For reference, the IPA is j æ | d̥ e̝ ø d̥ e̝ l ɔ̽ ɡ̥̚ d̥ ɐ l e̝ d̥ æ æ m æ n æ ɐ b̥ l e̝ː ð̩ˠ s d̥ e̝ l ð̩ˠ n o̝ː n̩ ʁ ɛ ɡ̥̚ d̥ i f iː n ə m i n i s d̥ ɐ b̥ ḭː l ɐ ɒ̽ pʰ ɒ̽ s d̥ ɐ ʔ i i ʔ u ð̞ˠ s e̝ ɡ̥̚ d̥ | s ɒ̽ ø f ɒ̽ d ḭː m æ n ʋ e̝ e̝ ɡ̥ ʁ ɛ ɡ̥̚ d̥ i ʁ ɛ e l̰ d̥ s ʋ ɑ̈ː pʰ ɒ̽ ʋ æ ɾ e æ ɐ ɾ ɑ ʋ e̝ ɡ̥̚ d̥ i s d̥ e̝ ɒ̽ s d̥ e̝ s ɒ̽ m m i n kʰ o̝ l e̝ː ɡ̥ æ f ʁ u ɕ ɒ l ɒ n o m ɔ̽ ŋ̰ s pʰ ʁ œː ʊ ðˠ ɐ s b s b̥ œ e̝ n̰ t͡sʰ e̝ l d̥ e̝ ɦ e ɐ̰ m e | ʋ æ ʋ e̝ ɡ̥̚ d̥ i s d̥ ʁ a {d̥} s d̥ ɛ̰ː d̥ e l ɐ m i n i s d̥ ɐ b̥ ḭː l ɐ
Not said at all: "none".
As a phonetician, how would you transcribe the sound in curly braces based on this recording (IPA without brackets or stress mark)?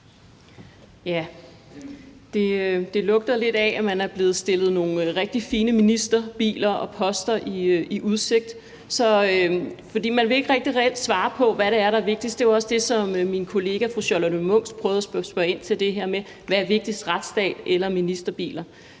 d̥